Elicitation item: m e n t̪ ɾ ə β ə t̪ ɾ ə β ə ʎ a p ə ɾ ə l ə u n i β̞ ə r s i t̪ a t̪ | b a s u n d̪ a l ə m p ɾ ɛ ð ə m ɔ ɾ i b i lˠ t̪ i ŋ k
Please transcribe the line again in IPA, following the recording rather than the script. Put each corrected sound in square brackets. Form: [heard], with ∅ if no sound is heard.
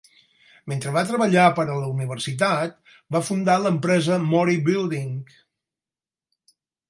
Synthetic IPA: m e n t̪ ɾ ə β [a] t̪ ɾ ə β ə ʎ a p ə ɾ ə l ə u n i β̞ ə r s i t̪ a t̪ | b a [f] u n d̪ a l ə m p ɾ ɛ [z] ə m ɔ ɾ i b i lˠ [d̪] i ŋ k